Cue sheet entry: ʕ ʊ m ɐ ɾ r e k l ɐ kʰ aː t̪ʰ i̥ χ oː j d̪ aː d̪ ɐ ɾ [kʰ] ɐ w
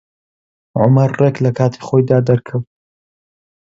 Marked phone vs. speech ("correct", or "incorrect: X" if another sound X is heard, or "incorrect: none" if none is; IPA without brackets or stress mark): correct